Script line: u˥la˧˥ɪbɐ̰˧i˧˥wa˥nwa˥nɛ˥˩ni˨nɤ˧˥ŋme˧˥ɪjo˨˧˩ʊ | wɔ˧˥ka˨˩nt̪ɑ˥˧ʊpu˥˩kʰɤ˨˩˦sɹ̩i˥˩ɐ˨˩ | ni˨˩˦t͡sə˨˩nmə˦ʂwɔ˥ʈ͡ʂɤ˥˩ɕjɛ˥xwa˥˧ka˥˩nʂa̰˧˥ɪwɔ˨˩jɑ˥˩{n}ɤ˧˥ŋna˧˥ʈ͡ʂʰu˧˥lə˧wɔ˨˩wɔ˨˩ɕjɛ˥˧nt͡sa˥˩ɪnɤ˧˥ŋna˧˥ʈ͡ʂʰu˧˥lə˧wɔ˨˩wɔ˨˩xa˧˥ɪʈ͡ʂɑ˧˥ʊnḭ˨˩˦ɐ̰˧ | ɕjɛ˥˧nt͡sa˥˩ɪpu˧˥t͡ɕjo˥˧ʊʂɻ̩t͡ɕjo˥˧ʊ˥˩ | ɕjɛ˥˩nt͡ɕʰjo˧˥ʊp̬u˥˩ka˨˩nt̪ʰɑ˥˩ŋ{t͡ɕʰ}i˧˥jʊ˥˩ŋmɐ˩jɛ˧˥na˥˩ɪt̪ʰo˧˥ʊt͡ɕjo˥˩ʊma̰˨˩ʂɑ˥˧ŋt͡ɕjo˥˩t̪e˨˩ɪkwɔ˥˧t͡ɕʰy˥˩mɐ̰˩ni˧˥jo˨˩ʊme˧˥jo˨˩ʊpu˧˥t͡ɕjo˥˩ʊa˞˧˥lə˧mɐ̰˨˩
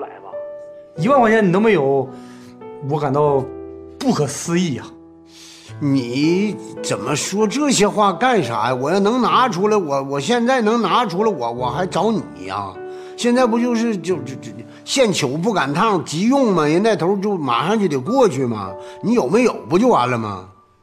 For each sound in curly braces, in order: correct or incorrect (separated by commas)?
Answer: correct, incorrect